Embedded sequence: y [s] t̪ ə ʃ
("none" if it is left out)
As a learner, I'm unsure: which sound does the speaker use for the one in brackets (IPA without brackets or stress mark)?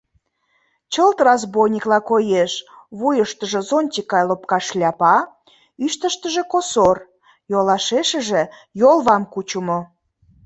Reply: ʃ